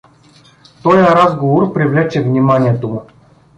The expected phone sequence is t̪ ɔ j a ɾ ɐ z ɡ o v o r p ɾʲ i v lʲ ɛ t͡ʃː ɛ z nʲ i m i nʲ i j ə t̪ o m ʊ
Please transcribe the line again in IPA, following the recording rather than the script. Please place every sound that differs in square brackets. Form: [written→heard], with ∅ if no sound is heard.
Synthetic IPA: t̪ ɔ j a ɾ [ɐ→a] z ɡ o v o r p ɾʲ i v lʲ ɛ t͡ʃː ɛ [z→v] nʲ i m [i→a] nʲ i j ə t̪ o m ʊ